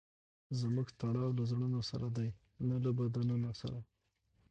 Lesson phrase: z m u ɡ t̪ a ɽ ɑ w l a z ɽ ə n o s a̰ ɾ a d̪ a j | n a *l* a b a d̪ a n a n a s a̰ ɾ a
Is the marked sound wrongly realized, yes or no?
no